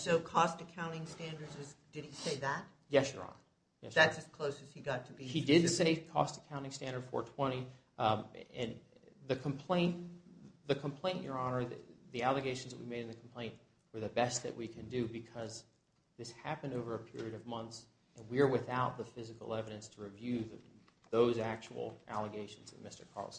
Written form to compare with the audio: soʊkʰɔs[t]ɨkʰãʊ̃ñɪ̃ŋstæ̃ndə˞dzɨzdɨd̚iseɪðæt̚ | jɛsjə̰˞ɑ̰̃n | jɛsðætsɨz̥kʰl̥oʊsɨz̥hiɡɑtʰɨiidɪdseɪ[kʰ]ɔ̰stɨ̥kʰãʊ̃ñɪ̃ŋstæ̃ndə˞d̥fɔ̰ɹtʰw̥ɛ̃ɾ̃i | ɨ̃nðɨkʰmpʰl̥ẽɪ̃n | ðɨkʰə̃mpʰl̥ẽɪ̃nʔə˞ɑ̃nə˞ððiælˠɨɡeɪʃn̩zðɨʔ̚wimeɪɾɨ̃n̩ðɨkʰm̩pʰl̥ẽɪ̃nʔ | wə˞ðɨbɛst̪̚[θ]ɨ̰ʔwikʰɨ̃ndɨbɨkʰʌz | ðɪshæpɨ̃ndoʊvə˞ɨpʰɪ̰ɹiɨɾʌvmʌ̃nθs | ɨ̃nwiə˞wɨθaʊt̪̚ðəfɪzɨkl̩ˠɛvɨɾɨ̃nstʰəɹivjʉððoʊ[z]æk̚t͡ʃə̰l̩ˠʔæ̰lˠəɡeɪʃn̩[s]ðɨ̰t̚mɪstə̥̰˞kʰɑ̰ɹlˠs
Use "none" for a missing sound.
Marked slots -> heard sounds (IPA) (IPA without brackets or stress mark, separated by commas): t, kʰ, ð, z, z